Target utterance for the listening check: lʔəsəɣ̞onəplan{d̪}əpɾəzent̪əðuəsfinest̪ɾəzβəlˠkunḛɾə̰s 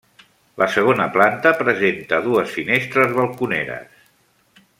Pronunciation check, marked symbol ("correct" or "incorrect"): incorrect